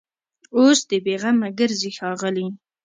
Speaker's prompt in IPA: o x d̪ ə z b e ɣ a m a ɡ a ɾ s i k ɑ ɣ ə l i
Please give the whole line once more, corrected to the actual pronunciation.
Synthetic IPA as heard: o s d̪ ə b e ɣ a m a ɡ ə ɾ z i x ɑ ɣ ə l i